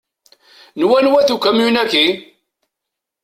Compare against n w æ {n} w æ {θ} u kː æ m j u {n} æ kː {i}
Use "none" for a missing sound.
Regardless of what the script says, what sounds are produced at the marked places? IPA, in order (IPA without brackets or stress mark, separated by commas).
n, θ, n, i